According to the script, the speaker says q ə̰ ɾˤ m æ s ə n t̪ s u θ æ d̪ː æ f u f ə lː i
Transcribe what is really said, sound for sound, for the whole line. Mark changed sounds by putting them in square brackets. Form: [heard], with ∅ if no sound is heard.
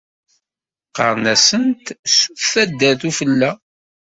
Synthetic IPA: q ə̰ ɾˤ [n] æ s ə n t̪ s u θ æ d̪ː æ [θ] u f ə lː [æ]